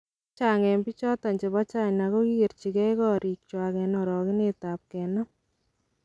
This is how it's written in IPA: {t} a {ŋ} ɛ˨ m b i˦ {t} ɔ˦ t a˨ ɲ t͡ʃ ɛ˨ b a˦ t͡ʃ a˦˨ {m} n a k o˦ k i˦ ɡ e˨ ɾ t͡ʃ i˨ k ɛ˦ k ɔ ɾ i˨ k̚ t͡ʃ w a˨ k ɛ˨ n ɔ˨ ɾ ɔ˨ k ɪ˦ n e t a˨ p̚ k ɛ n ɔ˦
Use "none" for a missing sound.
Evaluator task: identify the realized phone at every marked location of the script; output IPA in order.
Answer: t͡ʃ, ŋ, t͡ʃ, ɲ

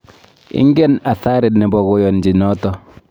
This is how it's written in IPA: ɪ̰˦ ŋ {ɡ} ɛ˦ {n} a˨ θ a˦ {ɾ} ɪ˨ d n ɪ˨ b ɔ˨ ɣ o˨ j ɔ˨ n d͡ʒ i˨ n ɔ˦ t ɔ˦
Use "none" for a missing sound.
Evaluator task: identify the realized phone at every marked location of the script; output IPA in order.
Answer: ɡ, n, ɾ

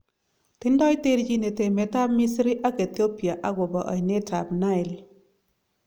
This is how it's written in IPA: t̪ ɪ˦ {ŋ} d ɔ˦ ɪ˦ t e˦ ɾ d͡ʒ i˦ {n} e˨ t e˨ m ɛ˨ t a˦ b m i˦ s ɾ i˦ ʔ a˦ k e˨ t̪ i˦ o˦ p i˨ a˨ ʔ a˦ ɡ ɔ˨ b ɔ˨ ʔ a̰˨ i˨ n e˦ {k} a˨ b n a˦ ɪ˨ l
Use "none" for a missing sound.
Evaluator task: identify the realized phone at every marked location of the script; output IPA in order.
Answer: n, n, t

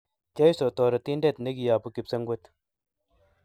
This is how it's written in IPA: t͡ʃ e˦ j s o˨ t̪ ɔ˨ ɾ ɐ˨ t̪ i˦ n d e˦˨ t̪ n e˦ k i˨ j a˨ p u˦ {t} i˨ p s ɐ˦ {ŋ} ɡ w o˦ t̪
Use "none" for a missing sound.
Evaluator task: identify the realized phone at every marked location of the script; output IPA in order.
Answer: k, ŋ

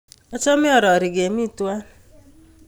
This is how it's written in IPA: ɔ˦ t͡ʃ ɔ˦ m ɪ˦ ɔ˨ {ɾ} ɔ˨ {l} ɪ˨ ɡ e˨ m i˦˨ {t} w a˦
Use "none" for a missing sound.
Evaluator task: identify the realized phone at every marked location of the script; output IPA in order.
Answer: ɾ, ɾ, t

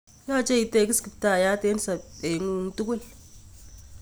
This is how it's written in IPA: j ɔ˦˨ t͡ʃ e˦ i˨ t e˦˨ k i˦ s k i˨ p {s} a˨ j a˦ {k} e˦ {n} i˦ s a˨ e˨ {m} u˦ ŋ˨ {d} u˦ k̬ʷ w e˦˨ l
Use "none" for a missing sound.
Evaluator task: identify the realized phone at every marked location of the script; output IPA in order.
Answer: t, t, n, ŋ, t

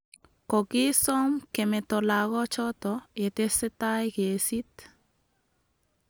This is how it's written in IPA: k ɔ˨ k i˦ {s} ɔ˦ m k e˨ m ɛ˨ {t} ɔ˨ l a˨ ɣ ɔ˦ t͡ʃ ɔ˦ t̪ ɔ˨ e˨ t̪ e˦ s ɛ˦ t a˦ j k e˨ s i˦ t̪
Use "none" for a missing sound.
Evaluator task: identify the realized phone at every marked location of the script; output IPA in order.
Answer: s, t

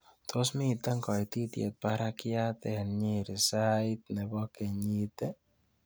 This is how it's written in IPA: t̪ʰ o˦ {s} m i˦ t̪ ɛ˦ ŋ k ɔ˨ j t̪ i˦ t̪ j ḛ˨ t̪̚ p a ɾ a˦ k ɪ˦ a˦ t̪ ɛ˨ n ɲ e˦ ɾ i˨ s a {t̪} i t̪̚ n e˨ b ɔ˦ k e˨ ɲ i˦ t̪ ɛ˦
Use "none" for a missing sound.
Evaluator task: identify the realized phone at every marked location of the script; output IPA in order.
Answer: s, none

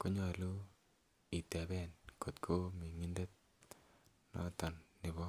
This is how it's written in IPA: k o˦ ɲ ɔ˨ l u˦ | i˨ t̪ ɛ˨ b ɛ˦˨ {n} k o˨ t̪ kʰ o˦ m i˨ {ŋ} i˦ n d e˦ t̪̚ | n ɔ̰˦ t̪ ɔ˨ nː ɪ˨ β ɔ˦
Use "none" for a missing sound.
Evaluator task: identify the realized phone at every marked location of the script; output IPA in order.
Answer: n, ŋ

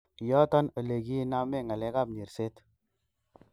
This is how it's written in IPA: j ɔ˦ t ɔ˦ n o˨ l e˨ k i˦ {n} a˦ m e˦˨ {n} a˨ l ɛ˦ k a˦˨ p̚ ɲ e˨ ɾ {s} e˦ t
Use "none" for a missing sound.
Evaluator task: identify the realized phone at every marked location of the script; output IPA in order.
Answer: n, ŋ, s

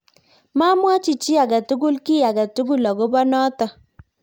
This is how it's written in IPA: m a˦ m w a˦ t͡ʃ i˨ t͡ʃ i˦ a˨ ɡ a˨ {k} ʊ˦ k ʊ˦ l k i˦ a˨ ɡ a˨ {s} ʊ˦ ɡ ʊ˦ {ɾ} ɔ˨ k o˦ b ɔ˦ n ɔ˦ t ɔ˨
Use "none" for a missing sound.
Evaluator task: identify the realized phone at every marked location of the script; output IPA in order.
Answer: t, t, l

